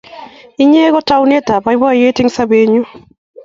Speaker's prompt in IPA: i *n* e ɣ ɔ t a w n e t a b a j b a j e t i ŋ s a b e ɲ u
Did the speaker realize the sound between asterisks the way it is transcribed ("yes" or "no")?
no